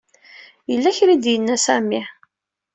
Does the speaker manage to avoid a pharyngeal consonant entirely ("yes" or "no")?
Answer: yes